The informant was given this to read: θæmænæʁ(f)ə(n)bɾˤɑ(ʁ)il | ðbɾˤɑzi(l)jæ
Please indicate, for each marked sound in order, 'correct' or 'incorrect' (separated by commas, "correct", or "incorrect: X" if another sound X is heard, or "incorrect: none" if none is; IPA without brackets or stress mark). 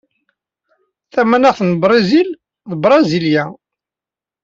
incorrect: θ, correct, incorrect: z, correct